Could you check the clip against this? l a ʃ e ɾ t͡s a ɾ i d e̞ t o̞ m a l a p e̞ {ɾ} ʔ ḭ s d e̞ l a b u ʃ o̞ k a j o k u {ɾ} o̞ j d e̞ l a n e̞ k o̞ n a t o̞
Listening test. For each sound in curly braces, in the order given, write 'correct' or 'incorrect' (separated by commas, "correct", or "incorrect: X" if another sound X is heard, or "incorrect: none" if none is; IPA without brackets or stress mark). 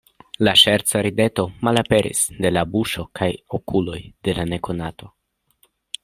correct, incorrect: l